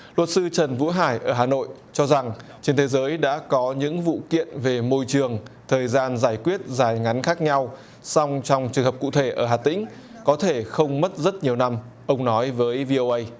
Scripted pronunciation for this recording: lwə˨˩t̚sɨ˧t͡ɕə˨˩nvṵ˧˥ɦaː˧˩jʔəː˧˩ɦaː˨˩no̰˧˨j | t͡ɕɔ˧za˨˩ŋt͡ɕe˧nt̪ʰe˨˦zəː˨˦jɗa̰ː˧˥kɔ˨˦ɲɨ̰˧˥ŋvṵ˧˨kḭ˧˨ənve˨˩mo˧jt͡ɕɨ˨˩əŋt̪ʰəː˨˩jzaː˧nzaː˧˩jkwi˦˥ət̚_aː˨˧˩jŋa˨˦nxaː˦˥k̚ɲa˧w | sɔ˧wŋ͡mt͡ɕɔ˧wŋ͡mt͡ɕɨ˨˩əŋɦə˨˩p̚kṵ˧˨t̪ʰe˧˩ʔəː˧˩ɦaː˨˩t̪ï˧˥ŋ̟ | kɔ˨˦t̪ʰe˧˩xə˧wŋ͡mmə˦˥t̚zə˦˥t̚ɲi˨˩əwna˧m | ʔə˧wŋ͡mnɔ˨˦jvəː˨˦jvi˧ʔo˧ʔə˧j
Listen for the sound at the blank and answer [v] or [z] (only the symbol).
z